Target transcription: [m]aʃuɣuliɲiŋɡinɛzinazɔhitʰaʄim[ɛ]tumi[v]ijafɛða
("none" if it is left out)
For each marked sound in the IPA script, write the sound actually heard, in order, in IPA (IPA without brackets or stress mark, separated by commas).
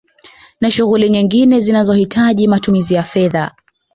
n, a, z